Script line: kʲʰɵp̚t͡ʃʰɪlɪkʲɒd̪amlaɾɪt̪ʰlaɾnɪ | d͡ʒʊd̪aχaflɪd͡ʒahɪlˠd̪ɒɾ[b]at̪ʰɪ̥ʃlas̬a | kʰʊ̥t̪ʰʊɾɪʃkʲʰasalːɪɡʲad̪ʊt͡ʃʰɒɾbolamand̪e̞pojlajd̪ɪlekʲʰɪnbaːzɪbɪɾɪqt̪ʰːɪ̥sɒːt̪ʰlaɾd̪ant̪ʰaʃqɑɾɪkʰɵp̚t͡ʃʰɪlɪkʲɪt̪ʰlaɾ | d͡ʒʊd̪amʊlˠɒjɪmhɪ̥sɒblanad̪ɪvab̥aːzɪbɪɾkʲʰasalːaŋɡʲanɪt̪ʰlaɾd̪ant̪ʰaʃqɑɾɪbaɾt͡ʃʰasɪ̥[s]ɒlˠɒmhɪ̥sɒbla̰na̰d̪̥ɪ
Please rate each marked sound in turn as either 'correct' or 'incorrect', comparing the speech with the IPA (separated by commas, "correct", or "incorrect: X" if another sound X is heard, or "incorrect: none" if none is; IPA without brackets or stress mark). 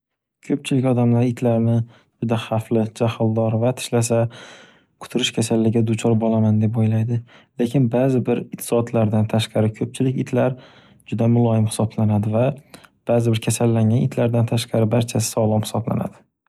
incorrect: v, correct